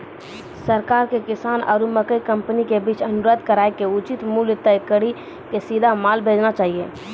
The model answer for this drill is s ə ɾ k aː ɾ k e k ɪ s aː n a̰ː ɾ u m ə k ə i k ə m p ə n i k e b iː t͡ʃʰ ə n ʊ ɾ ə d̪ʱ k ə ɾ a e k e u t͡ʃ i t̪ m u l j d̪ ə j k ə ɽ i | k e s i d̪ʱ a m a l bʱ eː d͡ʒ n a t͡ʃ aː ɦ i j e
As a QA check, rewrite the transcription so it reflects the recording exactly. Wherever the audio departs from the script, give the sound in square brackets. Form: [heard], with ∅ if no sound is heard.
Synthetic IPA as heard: s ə ɾ k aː ɾ k e k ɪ s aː n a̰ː ɾ u m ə k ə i k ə m p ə n i k e b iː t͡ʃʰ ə n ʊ ɾ ə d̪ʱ k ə ɾ a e k e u t͡ʃ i t̪ m u l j [t̪] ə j k ə ɽ i | k e s i d̪ʱ a m a l bʱ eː d͡ʒ n a t͡ʃ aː ɦ i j e